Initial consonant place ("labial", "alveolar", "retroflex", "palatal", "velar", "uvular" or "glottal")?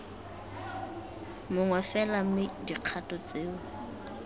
labial